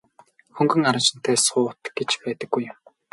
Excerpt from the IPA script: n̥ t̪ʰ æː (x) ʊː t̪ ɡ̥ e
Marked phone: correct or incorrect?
incorrect